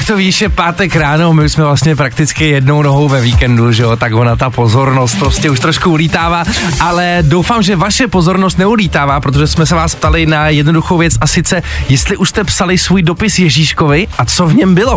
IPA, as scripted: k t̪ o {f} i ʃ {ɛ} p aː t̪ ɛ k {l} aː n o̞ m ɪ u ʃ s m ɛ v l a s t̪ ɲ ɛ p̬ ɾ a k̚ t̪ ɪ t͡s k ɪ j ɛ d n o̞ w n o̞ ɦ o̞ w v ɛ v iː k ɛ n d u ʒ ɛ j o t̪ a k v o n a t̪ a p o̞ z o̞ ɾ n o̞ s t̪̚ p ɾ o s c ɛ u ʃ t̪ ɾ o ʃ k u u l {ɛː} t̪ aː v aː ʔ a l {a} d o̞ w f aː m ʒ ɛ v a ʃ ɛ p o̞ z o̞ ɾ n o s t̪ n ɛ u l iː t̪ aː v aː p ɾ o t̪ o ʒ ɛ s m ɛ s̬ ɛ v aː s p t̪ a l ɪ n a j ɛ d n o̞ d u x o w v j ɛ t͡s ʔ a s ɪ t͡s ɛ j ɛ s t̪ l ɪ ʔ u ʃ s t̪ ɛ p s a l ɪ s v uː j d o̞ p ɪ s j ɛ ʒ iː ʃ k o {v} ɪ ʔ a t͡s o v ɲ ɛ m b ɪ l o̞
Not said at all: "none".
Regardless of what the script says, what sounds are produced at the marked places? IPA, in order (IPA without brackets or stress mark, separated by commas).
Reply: v, ɛ, ɾ, iː, ɛ, v